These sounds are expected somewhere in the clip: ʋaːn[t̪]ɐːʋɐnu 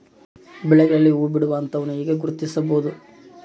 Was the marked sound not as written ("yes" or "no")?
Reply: no